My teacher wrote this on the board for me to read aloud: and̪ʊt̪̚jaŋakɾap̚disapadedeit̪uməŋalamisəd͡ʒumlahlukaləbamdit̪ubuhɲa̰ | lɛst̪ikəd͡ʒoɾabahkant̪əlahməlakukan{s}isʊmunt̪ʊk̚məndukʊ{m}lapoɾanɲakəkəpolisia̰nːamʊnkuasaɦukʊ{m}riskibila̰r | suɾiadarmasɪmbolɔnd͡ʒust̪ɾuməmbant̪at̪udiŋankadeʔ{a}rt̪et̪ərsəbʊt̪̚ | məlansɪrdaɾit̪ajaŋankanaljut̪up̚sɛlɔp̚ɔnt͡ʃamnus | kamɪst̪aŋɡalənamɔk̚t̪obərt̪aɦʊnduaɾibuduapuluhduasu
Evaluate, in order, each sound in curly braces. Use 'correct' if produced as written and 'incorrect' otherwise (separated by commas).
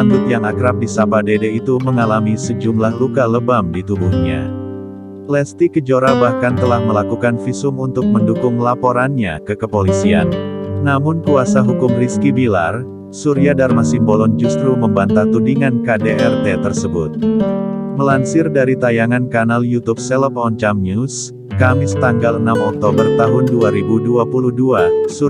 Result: incorrect, incorrect, correct, incorrect